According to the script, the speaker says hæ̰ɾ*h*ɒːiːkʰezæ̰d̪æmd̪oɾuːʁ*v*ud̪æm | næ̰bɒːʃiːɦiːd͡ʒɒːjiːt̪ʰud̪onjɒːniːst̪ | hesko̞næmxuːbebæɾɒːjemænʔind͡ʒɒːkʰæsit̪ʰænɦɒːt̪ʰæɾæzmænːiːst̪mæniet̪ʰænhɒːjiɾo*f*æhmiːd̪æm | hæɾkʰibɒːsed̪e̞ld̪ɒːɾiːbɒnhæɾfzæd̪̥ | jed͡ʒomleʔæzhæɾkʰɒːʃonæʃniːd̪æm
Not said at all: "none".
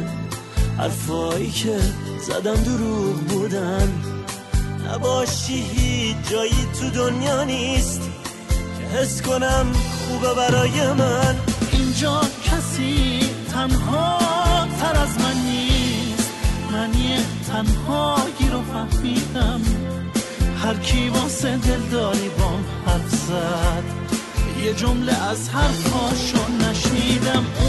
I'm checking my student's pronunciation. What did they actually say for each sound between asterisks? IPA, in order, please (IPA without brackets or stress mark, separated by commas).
f, b, f